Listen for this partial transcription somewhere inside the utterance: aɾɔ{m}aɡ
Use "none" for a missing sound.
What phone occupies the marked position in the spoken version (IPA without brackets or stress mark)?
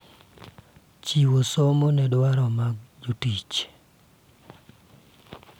m